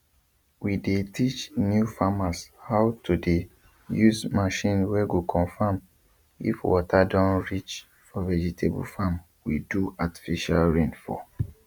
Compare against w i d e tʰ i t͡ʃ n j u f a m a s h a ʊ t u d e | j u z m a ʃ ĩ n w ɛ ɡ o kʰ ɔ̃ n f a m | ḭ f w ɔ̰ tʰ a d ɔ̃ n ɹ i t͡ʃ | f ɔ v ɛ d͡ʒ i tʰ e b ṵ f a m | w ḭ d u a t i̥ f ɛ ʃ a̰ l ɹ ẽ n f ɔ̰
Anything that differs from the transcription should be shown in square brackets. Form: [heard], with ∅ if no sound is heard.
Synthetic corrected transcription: w i d e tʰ i t͡ʃ n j u f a m a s h a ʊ t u d e | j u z m a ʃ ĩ n w ɛ ɡ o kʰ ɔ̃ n f a m | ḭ f w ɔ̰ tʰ a d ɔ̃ n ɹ i t͡ʃ | f ɔ v ɛ d͡ʒ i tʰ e b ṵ f a m | w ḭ d u a t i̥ f [i] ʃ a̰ l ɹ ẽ n f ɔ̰